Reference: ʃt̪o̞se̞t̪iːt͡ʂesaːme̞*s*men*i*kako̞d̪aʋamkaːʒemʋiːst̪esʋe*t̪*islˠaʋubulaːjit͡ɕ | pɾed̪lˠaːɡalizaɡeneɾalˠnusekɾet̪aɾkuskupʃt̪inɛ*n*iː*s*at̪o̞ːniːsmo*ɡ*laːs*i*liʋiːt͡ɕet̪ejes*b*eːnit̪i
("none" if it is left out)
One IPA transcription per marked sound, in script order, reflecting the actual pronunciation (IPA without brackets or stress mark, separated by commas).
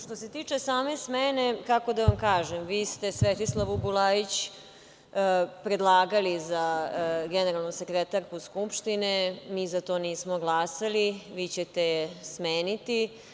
s, e, t̪, m, z, ɡ, a, m